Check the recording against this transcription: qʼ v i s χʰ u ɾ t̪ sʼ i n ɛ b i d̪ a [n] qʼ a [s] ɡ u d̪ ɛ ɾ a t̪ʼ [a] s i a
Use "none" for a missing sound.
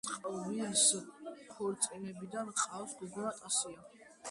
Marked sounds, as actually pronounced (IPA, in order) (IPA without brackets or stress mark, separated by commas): n, s, a